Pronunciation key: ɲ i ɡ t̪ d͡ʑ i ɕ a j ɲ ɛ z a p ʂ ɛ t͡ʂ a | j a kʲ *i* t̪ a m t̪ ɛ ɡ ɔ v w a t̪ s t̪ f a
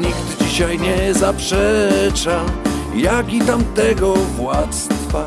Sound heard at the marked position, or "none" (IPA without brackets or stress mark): i